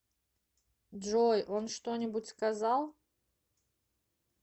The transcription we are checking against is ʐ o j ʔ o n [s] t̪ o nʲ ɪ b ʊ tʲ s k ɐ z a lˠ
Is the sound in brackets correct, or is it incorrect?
incorrect: ʂ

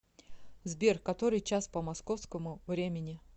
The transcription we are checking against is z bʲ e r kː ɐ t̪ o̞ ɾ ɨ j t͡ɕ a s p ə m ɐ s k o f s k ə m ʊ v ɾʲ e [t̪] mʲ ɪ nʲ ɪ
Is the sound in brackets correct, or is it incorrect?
incorrect: none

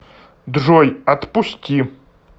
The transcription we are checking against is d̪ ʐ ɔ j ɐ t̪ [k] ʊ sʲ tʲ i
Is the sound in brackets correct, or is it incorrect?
incorrect: p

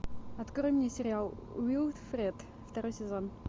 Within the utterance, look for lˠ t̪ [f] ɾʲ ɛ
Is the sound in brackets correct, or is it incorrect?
correct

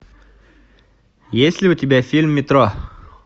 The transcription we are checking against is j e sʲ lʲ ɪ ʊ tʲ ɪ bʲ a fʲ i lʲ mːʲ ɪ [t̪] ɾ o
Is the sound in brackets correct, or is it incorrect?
correct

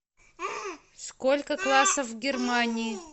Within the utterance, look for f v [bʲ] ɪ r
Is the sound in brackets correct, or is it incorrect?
incorrect: ɡʲ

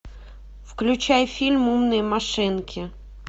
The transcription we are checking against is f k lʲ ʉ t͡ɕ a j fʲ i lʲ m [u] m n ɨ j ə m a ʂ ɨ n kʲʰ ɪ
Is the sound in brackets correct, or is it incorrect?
correct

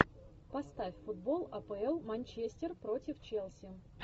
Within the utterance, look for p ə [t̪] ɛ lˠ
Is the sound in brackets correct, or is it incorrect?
incorrect: none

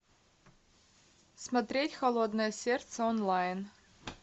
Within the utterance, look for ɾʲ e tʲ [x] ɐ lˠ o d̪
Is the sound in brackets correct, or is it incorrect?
correct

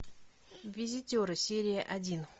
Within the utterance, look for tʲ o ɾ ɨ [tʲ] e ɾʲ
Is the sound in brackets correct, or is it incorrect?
incorrect: sʲ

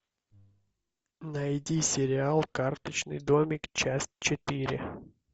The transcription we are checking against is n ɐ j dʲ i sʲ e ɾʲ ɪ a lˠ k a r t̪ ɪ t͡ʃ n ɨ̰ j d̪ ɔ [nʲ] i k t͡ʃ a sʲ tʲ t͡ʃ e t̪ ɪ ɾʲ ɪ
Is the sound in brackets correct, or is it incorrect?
incorrect: mʲ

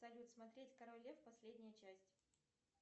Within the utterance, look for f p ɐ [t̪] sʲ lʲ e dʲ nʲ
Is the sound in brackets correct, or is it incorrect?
incorrect: none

